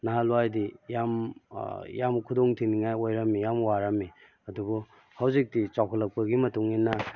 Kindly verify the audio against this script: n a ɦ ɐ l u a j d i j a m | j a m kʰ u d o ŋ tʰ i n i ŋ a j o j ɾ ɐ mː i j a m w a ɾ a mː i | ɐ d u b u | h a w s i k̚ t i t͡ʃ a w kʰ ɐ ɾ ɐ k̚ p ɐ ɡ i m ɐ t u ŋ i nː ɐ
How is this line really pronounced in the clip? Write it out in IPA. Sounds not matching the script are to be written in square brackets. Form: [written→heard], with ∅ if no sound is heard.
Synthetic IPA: n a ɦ [ɐ→a] l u a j d i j a m | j a m kʰ u d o ŋ tʰ i n i ŋ a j o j ɾ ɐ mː i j a m w a ɾ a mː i | ɐ d u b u | h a w [s→z] i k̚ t i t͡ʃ a w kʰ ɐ [ɾ→l] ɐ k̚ p ɐ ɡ i m ɐ t u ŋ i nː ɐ